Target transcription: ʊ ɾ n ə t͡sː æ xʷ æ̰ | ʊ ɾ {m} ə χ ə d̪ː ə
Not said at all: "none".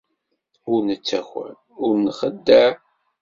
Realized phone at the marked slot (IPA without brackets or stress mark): n